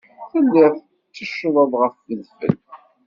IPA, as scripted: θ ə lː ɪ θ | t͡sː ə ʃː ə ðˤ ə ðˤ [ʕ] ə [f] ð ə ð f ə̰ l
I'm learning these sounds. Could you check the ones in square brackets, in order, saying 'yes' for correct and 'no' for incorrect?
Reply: no, yes

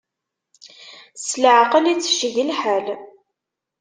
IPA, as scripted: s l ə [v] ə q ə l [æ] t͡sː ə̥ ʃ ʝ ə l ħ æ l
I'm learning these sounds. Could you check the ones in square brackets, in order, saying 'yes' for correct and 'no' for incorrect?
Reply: no, no

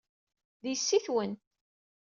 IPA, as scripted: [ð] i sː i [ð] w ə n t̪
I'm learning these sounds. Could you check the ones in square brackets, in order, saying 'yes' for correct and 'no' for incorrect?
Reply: yes, no

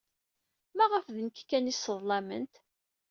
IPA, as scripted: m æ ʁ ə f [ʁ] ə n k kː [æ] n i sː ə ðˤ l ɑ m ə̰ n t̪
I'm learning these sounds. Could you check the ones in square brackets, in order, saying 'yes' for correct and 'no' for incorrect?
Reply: no, yes

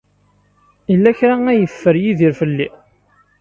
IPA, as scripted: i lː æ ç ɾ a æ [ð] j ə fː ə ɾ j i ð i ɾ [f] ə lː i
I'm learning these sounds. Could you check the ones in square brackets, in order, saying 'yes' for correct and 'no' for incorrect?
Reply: no, yes

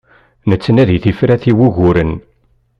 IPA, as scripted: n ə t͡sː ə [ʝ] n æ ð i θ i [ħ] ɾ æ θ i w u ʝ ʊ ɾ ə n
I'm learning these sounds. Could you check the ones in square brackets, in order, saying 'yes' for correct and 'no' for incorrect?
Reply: no, no

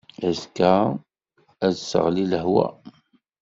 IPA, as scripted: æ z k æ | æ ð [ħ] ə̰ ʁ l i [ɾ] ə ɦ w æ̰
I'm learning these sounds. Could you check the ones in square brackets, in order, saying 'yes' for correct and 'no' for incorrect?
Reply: no, no

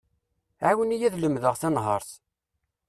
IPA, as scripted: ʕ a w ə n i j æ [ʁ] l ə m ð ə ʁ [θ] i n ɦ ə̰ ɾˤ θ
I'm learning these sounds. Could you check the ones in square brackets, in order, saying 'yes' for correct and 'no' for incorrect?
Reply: no, yes

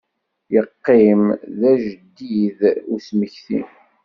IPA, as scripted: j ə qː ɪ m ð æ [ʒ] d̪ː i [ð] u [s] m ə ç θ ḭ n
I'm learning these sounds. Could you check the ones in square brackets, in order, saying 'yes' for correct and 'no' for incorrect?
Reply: yes, yes, yes

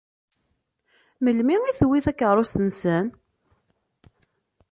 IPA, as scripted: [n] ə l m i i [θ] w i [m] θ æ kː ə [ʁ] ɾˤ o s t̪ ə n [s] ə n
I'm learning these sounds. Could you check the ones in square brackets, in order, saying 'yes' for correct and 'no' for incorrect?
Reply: no, yes, no, yes, yes

